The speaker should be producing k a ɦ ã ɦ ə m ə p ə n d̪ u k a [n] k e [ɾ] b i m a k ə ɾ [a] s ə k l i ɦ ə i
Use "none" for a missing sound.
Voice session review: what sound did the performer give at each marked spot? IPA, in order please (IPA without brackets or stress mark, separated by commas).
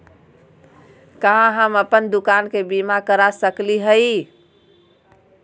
n, none, a